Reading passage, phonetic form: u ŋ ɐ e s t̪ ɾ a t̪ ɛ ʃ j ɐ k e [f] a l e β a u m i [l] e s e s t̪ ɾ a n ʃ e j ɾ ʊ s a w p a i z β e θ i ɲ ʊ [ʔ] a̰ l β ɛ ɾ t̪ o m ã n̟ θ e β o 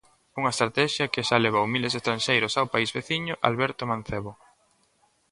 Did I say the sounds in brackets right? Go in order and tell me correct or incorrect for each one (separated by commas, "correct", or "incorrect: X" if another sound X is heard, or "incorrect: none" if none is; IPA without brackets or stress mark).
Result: incorrect: ʃ, correct, correct